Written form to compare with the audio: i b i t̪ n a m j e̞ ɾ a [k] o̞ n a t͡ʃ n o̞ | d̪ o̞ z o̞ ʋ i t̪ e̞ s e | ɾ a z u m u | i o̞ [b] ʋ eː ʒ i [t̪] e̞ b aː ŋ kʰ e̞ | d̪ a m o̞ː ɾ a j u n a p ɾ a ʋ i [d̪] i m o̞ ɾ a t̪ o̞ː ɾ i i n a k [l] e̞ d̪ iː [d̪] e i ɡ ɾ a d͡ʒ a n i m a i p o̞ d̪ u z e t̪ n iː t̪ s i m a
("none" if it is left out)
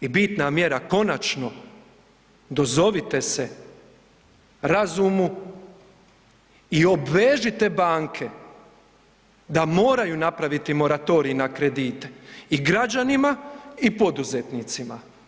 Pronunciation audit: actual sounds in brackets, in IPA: k, b, t̪, t̪, ɾ, t̪

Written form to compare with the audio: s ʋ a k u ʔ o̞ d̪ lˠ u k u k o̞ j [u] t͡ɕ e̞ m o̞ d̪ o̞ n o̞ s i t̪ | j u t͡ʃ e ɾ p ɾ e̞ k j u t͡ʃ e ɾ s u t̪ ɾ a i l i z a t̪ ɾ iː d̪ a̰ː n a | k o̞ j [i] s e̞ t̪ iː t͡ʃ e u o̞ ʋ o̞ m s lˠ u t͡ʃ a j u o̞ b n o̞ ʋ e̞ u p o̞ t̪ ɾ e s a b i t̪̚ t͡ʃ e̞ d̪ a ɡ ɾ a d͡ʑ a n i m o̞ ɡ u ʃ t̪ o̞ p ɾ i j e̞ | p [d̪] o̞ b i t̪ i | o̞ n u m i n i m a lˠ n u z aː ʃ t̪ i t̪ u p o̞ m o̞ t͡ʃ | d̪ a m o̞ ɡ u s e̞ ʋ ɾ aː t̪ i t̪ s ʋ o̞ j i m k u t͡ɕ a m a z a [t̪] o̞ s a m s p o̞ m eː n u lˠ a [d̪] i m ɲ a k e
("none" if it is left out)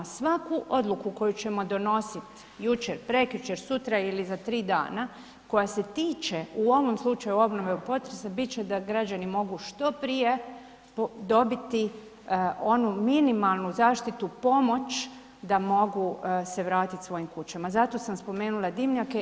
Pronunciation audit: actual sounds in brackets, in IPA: u, a, d̪, t̪, d̪

